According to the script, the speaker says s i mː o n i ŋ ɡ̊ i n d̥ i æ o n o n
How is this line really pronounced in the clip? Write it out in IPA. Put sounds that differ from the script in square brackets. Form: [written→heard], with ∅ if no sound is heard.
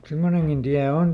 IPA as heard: s [i→e] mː o n [i→e] ŋ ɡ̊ i n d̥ i æ o n o n

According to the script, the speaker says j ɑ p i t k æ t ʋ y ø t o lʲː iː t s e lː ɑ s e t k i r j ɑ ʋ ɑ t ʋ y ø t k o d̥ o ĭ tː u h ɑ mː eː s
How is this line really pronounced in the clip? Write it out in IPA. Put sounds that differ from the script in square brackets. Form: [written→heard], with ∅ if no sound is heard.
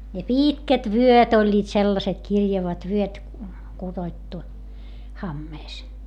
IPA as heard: j ɑ p [i→iː] t k æ t ʋ y ø t o lʲː iː t s e lː ɑ s e t k i r j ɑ ʋ ɑ t ʋ y ø t k [o→u] d̥ o ĭ tː u h ɑ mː eː s

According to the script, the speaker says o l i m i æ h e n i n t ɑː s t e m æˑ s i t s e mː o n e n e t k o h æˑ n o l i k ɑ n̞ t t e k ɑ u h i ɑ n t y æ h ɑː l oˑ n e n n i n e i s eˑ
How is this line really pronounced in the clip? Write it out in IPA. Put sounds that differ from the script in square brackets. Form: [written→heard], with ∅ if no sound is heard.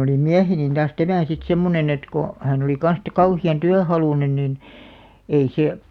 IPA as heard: o l i m i æ h e n i n t ɑː s t [e→æ] m æˑ s i t s e mː o n e n e t k o h æˑ n o l i k ɑ n̞ [t→s] t e k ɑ u h i ɑ n t y æ h [ɑː→ɑ] l [oˑ→uˑ] n e n n i n e i s eˑ

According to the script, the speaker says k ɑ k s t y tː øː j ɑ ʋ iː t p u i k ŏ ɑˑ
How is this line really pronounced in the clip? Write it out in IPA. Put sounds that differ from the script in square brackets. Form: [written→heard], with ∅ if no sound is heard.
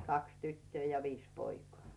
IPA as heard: k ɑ k s t y tː øː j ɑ ʋ iː [t→s] p [u→o] i k ŏ ɑˑ

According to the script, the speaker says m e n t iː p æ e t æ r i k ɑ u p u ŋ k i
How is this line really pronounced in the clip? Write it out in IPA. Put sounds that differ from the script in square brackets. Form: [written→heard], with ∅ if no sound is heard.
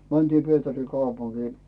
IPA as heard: m [e→æ] n t iː p [æ→i] e t æ r i k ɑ u p u ŋ k [i→iː]

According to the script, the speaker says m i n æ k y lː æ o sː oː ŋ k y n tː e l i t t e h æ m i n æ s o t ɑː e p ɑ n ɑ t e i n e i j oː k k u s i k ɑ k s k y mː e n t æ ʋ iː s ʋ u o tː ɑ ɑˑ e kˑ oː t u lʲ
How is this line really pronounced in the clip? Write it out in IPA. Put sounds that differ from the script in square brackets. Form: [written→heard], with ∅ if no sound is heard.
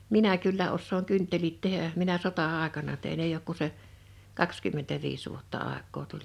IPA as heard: m i n æ k y lː æ o sː oː ŋ k y n tː e l i t t e h æ m i n æ s o t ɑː e [p→k] ɑ n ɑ t e i n e i j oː k k u s [i→e] k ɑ k s k y mː e n t æ ʋ iː s ʋ u o tː ɑ ɑˑ e kˑ oː t u lʲ

